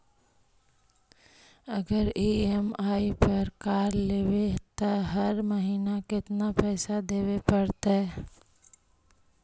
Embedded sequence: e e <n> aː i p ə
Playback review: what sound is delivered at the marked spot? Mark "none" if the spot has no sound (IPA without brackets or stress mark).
m